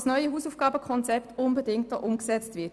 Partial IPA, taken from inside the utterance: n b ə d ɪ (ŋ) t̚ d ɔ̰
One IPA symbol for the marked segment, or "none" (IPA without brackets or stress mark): ŋ